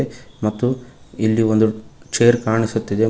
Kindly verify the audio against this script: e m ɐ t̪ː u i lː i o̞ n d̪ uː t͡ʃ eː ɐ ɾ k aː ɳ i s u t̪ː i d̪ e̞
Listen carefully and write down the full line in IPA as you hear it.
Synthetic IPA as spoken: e m ɐ t̪ː u i lː i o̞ n d̪ u t͡ʃ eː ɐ ɾ k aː ɳ i s u t̪ː i d̪ e̞